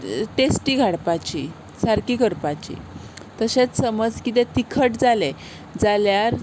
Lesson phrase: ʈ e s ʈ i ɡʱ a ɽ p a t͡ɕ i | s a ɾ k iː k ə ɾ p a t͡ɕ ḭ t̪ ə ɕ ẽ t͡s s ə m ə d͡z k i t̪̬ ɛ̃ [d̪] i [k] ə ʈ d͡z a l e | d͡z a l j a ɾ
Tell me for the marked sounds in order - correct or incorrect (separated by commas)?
incorrect, incorrect